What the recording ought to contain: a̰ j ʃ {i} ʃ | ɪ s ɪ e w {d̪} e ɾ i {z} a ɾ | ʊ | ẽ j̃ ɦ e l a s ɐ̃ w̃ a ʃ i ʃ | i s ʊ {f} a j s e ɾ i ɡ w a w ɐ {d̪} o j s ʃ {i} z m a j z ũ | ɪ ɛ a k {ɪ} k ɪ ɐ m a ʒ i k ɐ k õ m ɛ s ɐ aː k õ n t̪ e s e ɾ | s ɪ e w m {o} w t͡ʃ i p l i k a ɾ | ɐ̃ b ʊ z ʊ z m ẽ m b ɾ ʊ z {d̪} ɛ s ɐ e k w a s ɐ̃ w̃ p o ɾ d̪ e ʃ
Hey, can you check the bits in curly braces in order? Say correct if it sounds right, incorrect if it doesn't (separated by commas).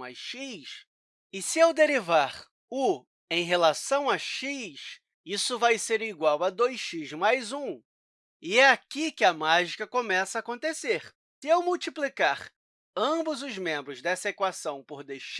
correct, correct, incorrect, incorrect, correct, correct, incorrect, incorrect, correct